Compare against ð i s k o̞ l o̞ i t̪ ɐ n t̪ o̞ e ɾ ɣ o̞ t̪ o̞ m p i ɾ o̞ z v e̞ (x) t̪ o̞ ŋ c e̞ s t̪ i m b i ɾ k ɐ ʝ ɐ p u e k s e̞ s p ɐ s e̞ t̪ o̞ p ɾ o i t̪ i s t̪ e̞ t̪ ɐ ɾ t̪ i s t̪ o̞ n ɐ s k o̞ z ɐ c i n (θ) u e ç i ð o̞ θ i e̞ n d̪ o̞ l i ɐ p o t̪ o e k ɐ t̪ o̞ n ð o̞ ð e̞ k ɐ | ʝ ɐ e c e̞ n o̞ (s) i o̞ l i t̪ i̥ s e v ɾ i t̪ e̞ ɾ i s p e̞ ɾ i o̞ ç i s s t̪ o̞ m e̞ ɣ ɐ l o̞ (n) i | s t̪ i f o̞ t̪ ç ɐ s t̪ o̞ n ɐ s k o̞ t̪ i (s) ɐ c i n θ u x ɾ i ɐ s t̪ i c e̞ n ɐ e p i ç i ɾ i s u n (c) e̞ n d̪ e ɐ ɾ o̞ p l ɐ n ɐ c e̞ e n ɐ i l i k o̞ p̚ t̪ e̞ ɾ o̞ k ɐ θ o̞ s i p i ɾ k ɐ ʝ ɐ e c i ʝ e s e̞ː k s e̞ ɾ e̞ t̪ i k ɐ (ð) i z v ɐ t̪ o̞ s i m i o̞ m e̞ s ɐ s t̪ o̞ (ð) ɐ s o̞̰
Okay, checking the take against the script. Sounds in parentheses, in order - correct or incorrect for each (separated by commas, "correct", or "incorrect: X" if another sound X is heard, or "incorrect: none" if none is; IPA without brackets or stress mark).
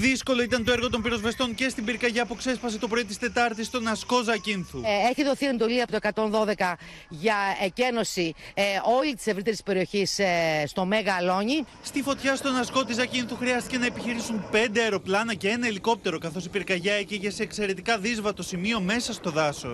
incorrect: s, correct, correct, incorrect: ɲ, incorrect: z, incorrect: p, correct, correct